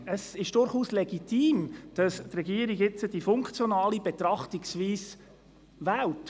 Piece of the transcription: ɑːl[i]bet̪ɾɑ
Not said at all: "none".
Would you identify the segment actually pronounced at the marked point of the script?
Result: i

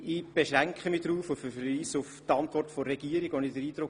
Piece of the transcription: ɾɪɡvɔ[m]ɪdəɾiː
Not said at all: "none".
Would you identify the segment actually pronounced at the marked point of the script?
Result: n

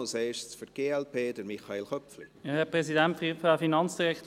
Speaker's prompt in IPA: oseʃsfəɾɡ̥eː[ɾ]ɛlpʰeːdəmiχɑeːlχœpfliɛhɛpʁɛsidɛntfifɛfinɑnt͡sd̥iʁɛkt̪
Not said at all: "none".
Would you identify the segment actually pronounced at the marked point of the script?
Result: none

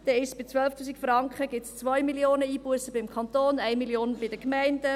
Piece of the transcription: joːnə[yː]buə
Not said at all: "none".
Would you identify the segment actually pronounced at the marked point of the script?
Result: iː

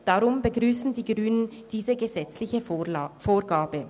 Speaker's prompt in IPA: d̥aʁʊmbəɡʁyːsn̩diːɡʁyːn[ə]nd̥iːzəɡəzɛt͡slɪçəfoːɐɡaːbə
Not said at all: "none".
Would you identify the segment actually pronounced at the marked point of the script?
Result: ə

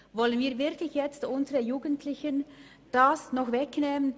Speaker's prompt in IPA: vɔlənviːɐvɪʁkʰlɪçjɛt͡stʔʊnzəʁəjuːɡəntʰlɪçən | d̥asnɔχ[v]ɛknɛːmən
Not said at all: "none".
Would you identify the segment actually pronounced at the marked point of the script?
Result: v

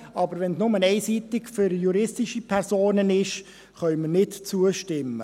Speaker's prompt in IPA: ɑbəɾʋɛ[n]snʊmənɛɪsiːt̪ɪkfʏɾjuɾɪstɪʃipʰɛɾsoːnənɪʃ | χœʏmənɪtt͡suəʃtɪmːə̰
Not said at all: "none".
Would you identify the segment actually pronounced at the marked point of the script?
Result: n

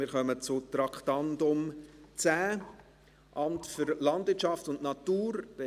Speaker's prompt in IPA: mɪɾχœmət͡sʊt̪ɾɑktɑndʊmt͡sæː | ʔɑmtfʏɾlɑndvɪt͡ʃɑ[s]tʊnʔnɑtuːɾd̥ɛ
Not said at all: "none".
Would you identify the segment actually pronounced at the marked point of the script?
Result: f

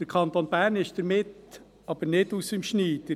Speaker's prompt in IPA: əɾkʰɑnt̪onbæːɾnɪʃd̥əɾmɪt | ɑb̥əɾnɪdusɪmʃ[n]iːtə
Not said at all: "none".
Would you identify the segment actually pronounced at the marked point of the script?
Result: n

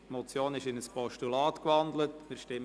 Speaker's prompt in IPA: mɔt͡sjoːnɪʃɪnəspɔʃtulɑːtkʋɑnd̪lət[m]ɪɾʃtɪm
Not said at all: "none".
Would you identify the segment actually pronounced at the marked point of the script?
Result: m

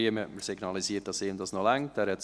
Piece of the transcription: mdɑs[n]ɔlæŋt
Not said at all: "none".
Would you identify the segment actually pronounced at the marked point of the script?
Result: n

